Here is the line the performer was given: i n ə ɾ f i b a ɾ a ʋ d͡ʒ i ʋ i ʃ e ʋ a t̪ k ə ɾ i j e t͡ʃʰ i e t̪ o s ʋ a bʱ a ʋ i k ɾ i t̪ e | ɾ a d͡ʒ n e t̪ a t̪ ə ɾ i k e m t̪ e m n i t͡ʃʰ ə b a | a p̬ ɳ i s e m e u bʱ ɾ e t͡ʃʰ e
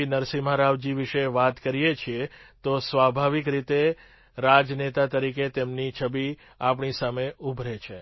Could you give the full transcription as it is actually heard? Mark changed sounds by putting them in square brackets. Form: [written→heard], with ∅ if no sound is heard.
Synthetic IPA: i n ə ɾ [f→s] i [b→m] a ɾ a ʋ d͡ʒ i ʋ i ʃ e ʋ a t̪ k ə ɾ i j e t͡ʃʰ i e t̪ o s ʋ a bʱ a ʋ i k ɾ i t̪ e | ɾ a d͡ʒ n e t̪ a t̪ ə ɾ i k e [m→∅] t̪ e m n i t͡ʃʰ ə b [a→i] | a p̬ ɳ i s [e→a] m e u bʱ ɾ e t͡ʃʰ e